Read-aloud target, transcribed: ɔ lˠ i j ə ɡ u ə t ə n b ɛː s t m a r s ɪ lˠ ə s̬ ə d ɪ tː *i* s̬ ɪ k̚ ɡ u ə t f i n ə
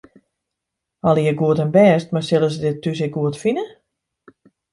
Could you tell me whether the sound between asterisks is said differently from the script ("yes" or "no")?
yes